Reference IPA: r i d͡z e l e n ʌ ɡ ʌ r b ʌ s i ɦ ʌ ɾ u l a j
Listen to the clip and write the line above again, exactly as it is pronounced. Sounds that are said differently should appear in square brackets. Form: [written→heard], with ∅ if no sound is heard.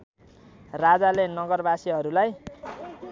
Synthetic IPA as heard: r [i→a] d͡z [e→a] l e n ʌ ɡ ʌ r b [ʌ→a] s i ɦ ʌ ɾ u l a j